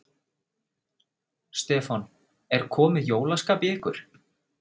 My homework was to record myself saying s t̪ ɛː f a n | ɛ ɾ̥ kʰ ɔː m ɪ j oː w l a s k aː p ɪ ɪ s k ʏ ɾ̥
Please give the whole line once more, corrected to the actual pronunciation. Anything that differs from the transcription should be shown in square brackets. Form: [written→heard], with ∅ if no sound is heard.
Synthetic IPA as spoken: s t̪ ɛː f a n | ɛ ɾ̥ kʰ ɔː m ɪ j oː w l a s k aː p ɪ ɪ [s→h] k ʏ ɾ̥